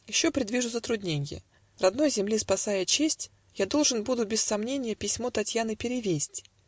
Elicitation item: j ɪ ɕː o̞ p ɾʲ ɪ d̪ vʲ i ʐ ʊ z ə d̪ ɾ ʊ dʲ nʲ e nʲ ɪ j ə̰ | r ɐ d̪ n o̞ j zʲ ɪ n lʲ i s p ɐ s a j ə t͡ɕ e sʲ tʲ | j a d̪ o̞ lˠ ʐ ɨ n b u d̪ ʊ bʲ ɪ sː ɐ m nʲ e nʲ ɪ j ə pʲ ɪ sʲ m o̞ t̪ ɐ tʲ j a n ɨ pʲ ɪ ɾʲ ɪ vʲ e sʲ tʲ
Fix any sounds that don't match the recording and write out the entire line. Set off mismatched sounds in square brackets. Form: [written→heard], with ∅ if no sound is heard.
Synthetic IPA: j ɪ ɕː o̞ p ɾʲ ɪ d̪ vʲ i ʐ ʊ z ə [d̪→t̪] ɾ ʊ dʲ nʲ e nʲ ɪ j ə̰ | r ɐ d̪ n o̞ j zʲ ɪ [n→m] lʲ i s p ɐ s a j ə t͡ɕ e sʲ tʲ | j a d̪ o̞ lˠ ʐ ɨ n b u d̪ ʊ bʲ ɪ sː ɐ m nʲ e nʲ ɪ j ə pʲ ɪ sʲ m o̞ t̪ ɐ tʲ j a n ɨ pʲ ɪ ɾʲ ɪ vʲ e sʲ tʲ